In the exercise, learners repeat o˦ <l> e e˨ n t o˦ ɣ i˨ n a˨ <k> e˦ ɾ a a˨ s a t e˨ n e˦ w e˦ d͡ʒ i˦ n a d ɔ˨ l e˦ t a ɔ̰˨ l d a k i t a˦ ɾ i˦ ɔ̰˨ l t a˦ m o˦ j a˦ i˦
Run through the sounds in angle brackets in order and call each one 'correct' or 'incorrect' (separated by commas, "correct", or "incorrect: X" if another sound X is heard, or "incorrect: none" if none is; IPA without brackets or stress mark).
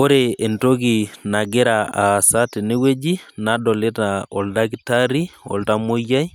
incorrect: ɾ, incorrect: ɡ